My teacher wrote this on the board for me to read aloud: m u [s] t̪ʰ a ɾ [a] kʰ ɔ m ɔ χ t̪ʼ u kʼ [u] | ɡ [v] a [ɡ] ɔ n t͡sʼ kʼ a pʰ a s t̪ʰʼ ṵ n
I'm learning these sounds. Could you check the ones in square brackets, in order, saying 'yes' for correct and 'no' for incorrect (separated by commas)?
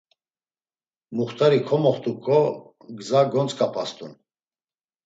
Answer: no, no, no, no, yes